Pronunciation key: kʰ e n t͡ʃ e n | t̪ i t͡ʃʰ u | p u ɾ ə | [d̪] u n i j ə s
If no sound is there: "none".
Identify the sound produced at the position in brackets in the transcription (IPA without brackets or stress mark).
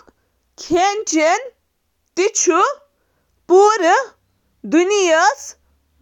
d̪